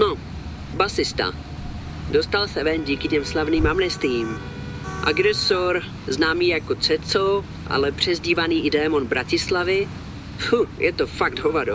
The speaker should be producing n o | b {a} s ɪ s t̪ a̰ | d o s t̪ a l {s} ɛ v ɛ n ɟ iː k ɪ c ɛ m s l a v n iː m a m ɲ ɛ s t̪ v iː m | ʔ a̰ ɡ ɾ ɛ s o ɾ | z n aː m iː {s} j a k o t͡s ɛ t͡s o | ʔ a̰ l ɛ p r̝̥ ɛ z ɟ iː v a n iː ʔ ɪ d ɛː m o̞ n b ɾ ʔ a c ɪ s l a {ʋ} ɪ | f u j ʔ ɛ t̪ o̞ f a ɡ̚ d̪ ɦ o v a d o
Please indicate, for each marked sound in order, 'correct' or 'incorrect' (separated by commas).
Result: correct, correct, incorrect, incorrect